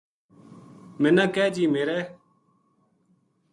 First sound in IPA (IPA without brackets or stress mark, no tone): m